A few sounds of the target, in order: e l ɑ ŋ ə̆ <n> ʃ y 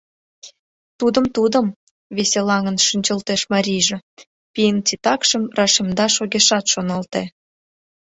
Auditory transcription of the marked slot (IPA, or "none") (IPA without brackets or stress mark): n